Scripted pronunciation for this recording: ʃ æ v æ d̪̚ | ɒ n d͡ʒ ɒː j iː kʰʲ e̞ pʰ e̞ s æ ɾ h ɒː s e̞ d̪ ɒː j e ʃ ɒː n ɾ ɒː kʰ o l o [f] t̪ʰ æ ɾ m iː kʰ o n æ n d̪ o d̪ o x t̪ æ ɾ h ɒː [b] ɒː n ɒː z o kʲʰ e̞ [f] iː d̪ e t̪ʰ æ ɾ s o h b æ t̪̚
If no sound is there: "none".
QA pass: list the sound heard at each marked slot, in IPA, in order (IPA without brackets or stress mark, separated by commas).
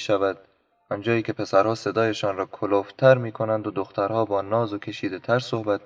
f, b, ʃ